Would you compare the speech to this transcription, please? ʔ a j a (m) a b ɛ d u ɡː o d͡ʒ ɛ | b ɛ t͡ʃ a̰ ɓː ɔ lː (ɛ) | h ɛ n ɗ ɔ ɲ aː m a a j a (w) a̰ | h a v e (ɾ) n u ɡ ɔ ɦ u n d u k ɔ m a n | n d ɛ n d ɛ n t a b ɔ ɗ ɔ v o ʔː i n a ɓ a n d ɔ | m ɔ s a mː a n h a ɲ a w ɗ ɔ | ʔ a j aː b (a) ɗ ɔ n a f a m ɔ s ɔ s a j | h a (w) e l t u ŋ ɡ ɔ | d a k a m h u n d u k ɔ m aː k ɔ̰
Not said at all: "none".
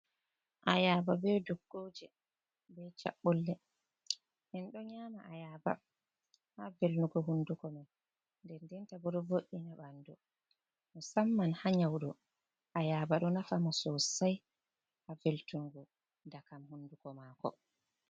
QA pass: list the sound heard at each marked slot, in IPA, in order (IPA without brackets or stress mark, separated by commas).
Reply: b, ɛ, b, l, a, v